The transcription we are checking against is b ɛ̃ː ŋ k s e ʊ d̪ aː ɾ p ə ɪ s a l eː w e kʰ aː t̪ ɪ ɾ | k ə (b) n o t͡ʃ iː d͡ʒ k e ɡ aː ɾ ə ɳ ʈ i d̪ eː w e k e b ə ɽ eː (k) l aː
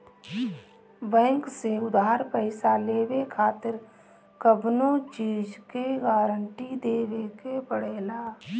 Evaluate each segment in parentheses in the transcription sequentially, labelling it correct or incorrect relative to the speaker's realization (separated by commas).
correct, incorrect